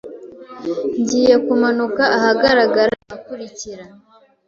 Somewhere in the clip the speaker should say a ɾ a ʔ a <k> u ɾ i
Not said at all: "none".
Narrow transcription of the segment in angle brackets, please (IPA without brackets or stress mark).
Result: k